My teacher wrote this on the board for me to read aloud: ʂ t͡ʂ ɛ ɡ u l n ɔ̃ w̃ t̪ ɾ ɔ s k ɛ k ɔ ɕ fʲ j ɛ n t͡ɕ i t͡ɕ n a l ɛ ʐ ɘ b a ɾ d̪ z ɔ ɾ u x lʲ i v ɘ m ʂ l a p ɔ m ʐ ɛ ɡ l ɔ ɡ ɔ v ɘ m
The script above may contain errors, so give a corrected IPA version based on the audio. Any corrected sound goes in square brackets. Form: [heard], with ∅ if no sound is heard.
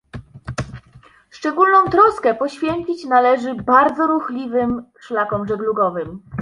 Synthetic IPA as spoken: ʂ t͡ʂ ɛ ɡ u l n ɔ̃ w̃ t̪ ɾ ɔ s k ɛ [p] ɔ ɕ fʲ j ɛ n t͡ɕ i t͡ɕ n a l ɛ ʐ ɘ b a ɾ d̪ z ɔ ɾ u x lʲ i v ɘ m ʂ l a [k] ɔ m ʐ ɛ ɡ l [u] ɡ ɔ v ɘ m